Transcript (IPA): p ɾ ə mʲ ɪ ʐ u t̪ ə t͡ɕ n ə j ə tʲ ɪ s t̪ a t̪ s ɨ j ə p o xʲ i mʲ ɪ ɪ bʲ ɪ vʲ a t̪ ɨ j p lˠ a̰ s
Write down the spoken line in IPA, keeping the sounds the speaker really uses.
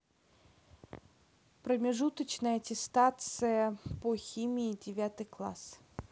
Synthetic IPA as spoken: p ɾ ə mʲ ɪ ʐ u t̪ ə t͡ɕ n ə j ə tʲ ɪ s t̪ a t̪ s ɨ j ə p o xʲ i mʲ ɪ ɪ dʲ ɪ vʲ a t̪ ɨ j k lˠ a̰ s